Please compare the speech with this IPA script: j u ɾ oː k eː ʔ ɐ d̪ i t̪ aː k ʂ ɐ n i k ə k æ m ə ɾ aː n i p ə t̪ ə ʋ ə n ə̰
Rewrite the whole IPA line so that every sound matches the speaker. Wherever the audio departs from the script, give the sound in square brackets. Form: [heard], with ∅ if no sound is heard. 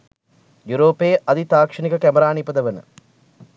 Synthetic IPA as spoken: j u ɾ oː [p] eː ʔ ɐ d̪ i t̪ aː k ʂ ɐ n i k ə k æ m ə ɾ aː n i p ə [d̪] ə ʋ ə n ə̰